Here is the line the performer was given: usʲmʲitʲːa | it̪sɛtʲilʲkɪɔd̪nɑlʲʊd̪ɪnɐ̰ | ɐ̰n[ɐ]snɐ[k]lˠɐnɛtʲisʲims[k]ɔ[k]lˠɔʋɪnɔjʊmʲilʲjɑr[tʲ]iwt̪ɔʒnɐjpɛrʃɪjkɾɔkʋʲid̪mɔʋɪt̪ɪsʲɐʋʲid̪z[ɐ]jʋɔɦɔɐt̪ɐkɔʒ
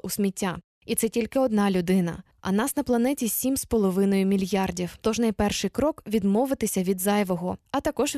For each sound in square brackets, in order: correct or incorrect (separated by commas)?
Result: incorrect, incorrect, incorrect, incorrect, incorrect, incorrect